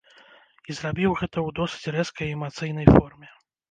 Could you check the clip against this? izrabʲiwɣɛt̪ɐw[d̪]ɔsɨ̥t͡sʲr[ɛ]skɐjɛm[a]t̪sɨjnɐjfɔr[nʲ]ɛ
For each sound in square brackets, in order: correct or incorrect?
correct, correct, correct, incorrect: mʲ

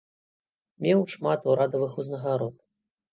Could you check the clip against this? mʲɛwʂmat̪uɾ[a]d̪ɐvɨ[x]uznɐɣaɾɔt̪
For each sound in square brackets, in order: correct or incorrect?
correct, correct

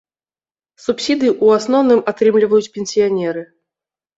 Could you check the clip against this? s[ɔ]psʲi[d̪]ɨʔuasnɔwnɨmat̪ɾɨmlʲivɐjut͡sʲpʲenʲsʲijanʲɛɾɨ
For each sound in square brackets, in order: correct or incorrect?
incorrect: u, correct

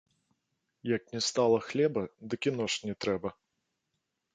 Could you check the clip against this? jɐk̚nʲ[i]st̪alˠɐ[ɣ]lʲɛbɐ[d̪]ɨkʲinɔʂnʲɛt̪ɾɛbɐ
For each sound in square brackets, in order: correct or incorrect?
incorrect: ɛ, incorrect: x, correct

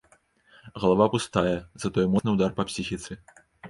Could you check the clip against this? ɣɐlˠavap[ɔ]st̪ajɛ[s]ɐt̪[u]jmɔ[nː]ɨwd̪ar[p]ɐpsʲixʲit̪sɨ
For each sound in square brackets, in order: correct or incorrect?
incorrect: u, incorrect: z, incorrect: ɔ, incorrect: n, correct

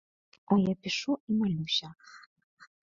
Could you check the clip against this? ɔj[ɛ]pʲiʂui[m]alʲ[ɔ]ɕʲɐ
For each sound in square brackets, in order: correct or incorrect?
incorrect: a, correct, incorrect: u

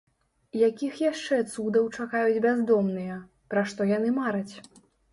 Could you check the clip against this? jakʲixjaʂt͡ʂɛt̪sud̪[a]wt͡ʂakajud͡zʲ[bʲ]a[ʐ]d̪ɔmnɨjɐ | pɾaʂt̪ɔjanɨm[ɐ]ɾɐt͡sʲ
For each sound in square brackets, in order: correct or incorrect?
incorrect: ɐ, correct, incorrect: z, incorrect: a

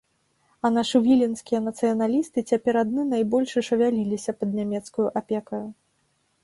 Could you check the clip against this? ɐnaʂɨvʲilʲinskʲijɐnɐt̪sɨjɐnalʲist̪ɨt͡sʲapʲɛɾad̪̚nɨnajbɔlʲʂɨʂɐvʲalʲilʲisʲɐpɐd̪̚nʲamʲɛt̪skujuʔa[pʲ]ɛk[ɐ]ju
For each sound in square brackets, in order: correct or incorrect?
correct, correct

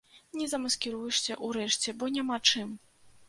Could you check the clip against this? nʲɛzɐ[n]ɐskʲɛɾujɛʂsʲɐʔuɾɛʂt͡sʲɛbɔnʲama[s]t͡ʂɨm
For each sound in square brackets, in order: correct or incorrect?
incorrect: m, incorrect: none

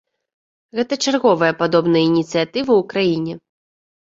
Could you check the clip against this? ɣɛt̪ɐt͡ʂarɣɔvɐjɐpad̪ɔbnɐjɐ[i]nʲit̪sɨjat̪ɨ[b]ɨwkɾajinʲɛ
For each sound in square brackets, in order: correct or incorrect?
correct, incorrect: v

